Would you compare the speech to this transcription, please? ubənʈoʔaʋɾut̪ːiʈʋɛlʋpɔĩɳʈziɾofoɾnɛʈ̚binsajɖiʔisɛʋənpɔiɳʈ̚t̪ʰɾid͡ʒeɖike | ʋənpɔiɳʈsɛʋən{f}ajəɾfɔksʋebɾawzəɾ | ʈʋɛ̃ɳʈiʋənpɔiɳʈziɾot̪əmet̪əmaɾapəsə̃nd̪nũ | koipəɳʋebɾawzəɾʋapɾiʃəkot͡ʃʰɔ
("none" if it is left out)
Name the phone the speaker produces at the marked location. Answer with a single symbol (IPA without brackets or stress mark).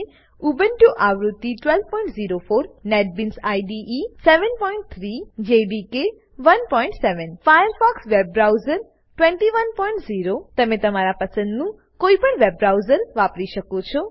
f